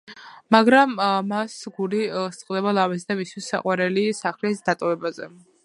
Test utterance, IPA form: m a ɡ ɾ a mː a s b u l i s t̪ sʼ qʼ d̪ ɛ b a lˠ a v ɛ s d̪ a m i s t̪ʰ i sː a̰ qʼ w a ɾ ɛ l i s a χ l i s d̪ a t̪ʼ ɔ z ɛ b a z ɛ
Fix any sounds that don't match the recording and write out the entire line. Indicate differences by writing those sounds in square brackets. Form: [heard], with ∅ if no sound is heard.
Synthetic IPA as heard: m a ɡ ɾ a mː a s [ɡ] u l i s t̪ sʼ qʼ d̪ ɛ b a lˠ a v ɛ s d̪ a m i s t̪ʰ i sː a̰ qʼ w a ɾ ɛ l i s a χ l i s d̪ a t̪ʼ ɔ [v] ɛ b a z ɛ